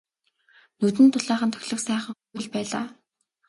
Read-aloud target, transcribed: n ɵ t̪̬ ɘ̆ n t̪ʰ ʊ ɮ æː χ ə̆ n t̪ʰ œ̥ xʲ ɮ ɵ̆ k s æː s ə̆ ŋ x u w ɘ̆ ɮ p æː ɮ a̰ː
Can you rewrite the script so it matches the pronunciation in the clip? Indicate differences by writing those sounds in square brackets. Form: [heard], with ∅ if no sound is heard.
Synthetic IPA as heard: n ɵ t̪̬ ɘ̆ n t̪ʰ ʊ ɮ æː χ ə̆ n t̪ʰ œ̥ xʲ ɮ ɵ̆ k s æː [χ] ə̆ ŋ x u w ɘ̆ ɮ p æː ɮ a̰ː

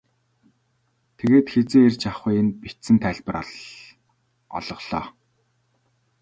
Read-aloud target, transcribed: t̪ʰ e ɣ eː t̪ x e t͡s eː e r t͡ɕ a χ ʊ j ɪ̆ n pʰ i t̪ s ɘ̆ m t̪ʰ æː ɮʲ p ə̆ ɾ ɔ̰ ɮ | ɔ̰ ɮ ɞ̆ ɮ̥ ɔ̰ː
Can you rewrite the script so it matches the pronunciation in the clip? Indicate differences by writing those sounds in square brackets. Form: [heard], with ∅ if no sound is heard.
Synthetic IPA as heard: t̪ʰ e ɣ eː t̪ x e t͡s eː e r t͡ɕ a χ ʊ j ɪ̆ n [p] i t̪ s ɘ̆ [n] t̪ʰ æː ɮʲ p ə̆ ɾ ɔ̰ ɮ | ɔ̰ ɮ ɞ̆ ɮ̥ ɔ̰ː

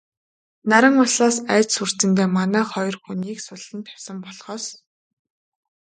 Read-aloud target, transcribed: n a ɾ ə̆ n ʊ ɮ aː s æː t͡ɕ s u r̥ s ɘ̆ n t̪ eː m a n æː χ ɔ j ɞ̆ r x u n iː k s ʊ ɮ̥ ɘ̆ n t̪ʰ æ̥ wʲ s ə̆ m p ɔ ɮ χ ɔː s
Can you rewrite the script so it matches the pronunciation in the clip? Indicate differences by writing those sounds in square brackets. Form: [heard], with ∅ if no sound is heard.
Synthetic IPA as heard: n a ɾ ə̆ [ŋ] ʊ ɮ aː s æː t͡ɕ s u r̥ [t͡s] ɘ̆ n t̪ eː m a n æː χ ɔ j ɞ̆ r x u n iː k s ʊ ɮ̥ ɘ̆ n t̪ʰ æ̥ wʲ s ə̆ m p ɔ ɮ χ ɔː s

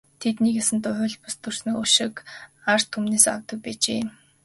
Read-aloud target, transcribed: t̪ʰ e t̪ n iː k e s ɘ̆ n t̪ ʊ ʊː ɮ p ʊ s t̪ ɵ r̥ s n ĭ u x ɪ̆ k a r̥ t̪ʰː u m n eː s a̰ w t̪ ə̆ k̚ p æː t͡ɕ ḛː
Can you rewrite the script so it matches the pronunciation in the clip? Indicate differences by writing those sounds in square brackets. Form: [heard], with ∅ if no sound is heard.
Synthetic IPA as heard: t̪ʰ e t̪ n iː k e s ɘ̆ n t̪ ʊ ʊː ɮ p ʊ s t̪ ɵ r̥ s n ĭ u [ʃ] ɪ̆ k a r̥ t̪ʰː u m n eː s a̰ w t̪ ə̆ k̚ p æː t͡ɕ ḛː

